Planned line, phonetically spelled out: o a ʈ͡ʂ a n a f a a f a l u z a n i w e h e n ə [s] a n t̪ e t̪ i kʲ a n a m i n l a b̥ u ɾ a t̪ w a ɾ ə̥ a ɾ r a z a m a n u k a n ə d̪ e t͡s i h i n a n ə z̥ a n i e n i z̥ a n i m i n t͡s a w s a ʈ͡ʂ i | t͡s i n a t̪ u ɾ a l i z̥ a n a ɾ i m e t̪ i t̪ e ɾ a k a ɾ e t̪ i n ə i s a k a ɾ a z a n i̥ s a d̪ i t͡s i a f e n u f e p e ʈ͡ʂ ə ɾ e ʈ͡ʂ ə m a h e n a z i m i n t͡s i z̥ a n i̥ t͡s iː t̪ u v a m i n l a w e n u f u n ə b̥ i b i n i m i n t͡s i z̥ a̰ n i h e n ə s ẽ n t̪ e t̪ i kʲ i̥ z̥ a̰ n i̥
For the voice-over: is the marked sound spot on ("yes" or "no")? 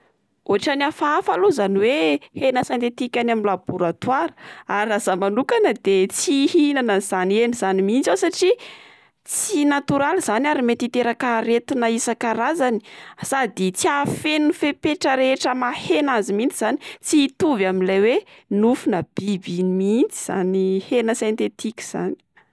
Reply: yes